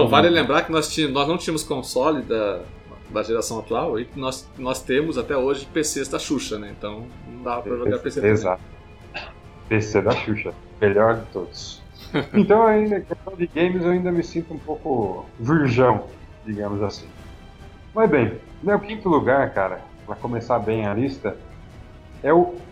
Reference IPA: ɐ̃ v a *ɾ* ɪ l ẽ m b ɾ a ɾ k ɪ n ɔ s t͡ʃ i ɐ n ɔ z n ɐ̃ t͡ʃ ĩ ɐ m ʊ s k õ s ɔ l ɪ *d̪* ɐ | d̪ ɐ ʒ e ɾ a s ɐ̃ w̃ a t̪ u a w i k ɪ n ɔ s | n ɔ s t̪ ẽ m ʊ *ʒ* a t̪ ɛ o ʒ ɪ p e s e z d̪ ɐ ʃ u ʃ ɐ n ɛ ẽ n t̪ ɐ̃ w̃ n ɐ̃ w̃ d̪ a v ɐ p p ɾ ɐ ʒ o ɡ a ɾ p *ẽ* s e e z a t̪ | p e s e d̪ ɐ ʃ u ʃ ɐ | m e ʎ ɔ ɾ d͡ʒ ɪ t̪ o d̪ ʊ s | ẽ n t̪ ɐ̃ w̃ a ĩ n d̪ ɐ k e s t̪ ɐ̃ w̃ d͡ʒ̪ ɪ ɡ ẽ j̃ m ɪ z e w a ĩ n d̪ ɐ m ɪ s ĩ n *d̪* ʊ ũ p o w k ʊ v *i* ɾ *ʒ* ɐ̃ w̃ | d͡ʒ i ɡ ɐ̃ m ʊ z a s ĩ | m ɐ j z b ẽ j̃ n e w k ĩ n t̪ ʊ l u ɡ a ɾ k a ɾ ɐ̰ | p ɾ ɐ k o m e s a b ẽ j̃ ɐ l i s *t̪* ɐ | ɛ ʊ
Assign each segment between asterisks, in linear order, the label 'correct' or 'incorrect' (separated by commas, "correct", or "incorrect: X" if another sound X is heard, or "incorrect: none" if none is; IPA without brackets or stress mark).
incorrect: l, correct, incorrect: z, incorrect: e, incorrect: t̪, correct, correct, correct